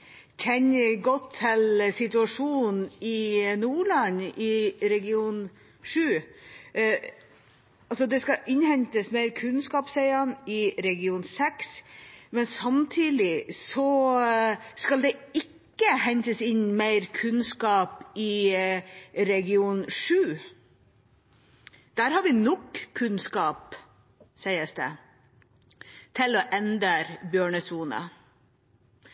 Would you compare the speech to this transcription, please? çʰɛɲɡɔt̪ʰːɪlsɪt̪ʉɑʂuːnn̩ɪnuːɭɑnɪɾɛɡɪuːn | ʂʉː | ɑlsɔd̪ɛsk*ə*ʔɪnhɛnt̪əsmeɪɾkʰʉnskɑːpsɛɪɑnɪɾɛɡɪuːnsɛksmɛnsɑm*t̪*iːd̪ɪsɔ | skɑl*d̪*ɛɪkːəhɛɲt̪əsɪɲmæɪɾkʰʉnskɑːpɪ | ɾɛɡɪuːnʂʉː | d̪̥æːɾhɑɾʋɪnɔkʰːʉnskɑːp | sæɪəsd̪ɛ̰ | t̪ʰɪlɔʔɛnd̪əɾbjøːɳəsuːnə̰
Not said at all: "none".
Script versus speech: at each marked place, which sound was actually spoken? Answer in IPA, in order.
ɑ, t̪ʰ, d̪

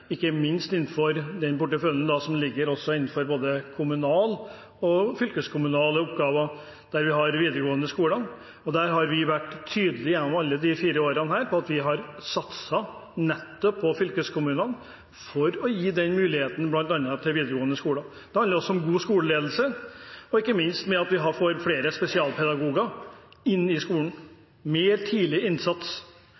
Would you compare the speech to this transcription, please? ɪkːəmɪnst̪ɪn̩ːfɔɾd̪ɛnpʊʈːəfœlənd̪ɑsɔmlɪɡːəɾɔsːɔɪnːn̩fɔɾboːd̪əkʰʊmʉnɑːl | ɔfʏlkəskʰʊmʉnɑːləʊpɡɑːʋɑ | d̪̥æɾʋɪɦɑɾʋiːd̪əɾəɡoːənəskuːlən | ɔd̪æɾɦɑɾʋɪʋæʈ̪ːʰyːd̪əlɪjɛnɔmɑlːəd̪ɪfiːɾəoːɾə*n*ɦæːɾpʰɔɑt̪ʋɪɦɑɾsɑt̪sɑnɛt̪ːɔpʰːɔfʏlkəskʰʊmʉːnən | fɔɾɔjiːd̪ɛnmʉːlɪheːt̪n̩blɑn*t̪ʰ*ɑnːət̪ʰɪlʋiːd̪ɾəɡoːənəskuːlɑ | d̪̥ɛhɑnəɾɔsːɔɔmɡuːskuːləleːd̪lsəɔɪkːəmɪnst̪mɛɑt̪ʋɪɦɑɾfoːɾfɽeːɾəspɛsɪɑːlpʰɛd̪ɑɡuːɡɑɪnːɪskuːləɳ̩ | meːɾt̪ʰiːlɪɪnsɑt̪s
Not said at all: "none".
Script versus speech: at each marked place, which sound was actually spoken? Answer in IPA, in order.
n, t̪

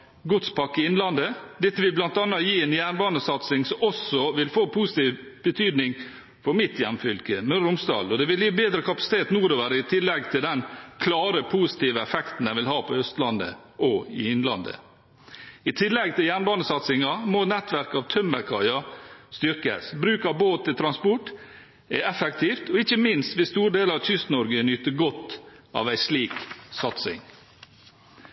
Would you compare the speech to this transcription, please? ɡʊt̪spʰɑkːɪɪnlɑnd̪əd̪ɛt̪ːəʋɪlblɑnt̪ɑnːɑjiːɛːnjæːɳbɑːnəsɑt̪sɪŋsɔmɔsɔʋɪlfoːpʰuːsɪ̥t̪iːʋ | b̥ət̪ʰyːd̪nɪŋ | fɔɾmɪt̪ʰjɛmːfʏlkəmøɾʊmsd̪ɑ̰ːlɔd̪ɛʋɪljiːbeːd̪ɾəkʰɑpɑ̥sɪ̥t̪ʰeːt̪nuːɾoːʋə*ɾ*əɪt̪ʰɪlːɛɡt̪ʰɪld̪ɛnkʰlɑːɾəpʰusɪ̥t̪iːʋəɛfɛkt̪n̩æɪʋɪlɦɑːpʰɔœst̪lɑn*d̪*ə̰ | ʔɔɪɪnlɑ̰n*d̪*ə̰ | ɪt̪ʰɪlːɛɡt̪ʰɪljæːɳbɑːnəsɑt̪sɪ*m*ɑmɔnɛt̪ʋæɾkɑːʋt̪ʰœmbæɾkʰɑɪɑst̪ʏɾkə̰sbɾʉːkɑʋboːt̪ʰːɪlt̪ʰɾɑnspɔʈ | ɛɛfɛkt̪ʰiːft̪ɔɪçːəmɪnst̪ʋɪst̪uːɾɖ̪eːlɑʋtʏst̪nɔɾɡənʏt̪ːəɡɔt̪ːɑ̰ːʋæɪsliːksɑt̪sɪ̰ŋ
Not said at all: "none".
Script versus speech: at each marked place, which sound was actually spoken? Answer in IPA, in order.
ɾ, d̪, d̪, ŋ

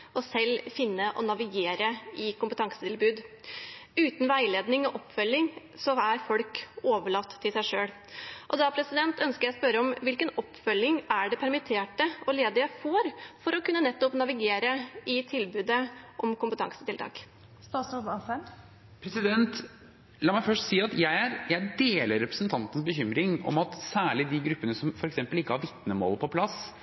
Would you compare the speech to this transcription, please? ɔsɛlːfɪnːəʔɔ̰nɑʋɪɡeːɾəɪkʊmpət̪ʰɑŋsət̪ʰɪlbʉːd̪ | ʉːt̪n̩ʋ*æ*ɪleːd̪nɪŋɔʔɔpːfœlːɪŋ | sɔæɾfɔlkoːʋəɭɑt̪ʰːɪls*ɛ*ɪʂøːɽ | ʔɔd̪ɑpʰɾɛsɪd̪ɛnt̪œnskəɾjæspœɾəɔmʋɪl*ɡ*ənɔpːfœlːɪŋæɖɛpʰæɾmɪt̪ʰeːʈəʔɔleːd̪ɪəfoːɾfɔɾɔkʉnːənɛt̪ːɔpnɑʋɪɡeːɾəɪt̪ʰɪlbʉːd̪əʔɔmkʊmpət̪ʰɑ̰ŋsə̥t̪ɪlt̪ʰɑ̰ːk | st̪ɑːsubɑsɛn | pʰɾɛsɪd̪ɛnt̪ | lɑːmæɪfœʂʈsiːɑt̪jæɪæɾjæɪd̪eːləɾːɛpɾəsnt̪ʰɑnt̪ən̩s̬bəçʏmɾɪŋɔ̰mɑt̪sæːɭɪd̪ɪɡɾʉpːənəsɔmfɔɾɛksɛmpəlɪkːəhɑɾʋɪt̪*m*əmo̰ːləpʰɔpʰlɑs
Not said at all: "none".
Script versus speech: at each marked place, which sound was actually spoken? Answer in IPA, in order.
æ, æ, k, n

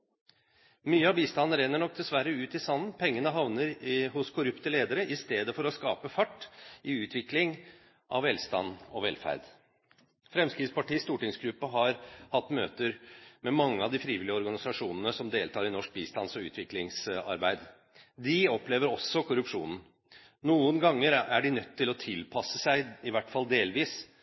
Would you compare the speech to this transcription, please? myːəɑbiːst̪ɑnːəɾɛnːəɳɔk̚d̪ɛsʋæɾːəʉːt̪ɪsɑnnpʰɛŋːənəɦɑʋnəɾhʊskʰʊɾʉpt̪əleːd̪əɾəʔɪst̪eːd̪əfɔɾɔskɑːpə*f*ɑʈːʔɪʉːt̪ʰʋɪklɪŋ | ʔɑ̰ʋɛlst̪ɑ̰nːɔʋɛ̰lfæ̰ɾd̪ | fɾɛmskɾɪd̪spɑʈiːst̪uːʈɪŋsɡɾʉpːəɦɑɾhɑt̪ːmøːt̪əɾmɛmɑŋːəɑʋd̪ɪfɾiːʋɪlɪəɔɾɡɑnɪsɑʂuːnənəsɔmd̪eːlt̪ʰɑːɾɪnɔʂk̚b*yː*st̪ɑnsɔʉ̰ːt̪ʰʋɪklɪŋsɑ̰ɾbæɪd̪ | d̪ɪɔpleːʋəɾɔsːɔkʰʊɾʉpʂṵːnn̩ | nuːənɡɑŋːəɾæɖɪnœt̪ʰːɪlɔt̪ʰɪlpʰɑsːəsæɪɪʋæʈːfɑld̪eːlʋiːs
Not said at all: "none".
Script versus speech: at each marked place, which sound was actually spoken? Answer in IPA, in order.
f, iː

